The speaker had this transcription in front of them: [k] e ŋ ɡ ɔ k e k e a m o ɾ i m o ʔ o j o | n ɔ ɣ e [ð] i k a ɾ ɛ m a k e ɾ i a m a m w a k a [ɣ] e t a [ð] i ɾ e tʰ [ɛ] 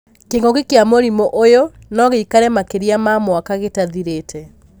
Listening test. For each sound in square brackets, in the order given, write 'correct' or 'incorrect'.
correct, incorrect: none, correct, correct, correct

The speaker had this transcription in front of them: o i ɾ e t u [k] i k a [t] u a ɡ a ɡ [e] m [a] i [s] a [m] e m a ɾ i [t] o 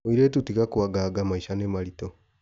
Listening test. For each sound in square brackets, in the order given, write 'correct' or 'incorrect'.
incorrect: t, incorrect: k, incorrect: a, correct, incorrect: ʃ, incorrect: n, correct

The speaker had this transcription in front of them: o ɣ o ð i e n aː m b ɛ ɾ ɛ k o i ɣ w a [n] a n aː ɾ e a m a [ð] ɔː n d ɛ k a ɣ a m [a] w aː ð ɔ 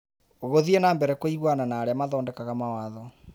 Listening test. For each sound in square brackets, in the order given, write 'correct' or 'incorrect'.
correct, correct, correct

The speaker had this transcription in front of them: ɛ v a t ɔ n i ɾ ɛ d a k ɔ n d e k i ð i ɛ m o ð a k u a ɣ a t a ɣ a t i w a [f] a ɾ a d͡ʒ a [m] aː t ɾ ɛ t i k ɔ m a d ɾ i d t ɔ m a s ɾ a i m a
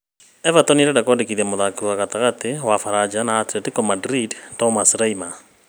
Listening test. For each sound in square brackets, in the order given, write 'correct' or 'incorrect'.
correct, incorrect: n

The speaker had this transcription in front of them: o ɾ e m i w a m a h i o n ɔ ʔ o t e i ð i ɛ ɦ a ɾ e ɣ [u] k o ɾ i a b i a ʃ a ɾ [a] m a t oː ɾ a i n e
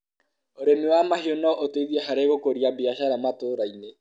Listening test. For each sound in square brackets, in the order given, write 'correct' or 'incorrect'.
incorrect: o, correct

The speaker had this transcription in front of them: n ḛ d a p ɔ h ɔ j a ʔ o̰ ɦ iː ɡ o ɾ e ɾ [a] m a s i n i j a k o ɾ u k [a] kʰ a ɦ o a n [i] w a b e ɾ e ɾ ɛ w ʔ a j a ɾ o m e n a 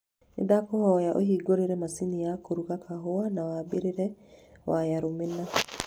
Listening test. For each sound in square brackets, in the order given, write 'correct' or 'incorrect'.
incorrect: ɛ, correct, incorrect: a

